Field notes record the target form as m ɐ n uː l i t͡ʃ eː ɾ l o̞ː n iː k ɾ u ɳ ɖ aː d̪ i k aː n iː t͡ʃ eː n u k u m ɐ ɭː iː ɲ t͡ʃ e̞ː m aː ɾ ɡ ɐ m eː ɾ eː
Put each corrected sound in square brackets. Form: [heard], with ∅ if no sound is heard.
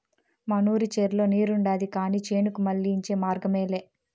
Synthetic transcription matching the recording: m ɐ n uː [ɾ] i t͡ʃ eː ɾ l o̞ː n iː [∅] ɾ u ɳ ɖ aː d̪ i k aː n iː t͡ʃ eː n u k u m ɐ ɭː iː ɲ t͡ʃ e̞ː m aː ɾ ɡ ɐ m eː [l] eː